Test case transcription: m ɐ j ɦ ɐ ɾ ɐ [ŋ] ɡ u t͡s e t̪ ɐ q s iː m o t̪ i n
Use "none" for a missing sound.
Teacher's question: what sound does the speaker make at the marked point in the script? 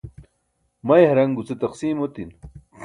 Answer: ŋ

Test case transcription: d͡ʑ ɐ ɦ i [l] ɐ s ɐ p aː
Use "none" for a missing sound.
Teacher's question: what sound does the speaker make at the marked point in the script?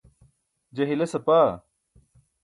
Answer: l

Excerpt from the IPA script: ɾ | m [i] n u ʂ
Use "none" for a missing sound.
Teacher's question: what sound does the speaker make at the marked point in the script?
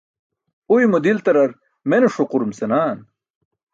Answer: e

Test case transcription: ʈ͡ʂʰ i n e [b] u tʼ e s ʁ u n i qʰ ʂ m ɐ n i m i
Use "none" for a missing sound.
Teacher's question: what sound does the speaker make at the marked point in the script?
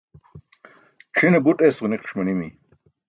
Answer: b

